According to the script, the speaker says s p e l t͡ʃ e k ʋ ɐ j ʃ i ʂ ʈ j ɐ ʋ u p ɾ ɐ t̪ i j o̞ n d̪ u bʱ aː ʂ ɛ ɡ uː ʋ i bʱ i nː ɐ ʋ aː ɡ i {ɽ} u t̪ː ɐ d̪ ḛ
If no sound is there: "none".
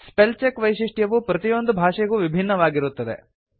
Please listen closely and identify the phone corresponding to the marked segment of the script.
ɾ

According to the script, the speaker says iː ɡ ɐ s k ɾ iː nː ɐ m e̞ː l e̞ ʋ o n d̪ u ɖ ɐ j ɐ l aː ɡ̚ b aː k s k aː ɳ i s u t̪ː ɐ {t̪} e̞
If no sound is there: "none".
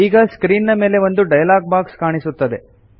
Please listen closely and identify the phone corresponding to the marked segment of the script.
d̪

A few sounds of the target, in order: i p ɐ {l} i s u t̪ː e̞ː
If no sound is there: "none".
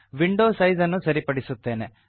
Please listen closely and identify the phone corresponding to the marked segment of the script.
ɽ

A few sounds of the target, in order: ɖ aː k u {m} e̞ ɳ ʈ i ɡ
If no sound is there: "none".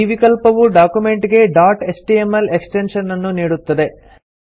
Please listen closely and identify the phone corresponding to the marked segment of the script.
m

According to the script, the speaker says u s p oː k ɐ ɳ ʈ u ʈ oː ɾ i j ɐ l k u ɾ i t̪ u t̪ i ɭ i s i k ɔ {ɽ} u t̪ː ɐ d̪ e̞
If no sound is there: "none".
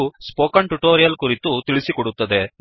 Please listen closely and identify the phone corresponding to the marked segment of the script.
ɽ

